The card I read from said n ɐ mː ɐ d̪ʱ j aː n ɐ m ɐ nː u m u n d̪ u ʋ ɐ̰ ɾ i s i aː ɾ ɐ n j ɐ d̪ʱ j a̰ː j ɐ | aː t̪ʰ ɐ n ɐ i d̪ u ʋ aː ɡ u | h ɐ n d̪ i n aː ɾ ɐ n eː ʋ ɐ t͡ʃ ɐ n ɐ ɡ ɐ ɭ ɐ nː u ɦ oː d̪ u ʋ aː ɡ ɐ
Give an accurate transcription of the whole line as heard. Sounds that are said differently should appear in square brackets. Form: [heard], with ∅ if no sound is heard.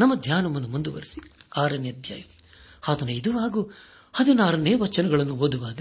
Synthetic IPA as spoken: n ɐ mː ɐ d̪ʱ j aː n ɐ m ɐ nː u m u n d̪ u ʋ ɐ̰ ɾ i s i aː ɾ ɐ n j ɐ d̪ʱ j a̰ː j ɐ | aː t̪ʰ ɐ n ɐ i d̪ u ʋ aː ɡ u | h ɐ [∅] d̪ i n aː ɾ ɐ n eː ʋ ɐ t͡ʃ ɐ n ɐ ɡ ɐ ɭ ɐ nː u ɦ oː d̪ u ʋ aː ɡ ɐ